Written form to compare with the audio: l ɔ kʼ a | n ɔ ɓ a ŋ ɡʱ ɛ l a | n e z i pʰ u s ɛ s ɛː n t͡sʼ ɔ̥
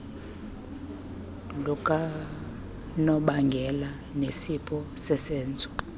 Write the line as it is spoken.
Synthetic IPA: l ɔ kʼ a | n ɔ ɓ a ŋ ɡʱ ɛ l a | n e s i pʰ ɔ s ɛ s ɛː n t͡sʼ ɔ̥